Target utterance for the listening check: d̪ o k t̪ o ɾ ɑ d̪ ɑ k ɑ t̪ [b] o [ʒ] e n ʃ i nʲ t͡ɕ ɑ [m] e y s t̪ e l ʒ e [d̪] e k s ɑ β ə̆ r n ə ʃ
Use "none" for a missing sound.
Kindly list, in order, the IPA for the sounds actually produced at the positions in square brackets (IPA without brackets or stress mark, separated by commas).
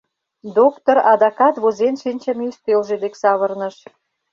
β, z, m, d̪